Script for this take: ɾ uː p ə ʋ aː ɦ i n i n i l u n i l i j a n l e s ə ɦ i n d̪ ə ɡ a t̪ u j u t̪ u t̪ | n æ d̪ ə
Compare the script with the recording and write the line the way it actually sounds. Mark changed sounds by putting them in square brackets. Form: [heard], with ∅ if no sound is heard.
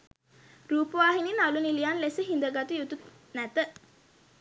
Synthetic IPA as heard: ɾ uː p ə ʋ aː ɦ i n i n [a] l u n i l i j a n l e s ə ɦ i n d̪ ə ɡ a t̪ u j u t̪ u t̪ | n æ [t̪] ə